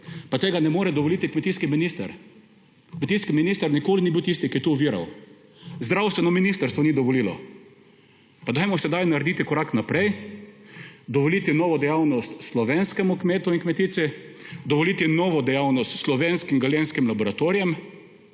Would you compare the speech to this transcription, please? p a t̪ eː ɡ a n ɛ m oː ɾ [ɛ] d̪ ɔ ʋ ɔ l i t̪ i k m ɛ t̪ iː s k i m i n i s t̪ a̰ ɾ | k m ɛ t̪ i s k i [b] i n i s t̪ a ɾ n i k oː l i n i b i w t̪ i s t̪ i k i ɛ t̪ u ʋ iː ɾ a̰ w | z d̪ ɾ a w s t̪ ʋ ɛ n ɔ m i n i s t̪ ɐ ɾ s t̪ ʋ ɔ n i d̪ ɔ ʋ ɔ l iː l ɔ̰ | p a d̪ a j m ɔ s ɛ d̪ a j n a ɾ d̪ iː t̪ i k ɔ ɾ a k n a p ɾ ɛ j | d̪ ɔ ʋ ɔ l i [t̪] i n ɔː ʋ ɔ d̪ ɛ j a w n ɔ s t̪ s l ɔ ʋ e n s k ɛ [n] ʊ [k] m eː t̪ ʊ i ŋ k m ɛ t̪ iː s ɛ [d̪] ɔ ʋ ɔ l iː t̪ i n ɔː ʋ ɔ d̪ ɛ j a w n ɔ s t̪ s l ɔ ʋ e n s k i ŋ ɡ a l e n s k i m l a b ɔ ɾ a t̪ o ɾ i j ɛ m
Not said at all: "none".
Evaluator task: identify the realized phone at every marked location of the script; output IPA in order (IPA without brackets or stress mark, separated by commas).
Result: ɛ, m, t̪, m, k, d̪